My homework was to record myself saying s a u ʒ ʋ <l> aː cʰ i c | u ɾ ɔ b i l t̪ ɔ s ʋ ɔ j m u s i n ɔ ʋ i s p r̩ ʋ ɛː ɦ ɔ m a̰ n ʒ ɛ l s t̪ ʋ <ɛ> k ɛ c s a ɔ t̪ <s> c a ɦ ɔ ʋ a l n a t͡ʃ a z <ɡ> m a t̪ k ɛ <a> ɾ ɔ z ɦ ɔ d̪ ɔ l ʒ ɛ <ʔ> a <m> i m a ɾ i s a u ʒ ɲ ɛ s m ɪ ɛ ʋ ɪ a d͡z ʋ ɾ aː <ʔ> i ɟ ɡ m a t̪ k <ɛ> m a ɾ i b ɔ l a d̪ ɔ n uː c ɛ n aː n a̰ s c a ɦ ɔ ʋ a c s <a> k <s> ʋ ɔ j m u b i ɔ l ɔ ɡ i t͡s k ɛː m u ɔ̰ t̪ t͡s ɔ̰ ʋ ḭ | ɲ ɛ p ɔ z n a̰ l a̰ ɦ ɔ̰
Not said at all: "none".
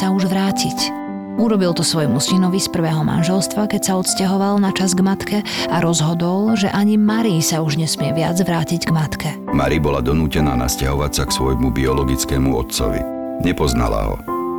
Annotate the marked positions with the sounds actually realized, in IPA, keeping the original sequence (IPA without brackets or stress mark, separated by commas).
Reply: ɾ, a, s, ɡ, a, ʔ, ɲ, c, ɛ, a, s